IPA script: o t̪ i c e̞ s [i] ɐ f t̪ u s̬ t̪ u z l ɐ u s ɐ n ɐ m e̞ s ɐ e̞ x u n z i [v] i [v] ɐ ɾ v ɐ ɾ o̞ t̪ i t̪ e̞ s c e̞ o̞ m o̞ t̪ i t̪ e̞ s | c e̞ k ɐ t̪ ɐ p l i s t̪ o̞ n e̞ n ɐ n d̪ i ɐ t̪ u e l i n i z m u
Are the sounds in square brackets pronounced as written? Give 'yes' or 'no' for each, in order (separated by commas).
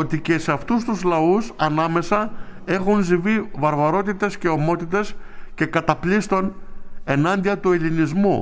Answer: no, yes, yes